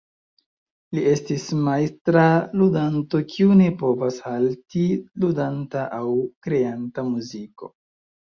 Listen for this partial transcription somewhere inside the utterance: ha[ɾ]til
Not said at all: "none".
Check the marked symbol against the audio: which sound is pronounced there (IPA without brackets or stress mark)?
l